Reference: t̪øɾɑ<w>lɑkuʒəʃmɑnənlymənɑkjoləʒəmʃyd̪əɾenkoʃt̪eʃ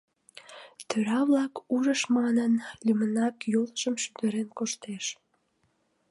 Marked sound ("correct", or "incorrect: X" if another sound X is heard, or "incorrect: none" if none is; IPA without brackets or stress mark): incorrect: β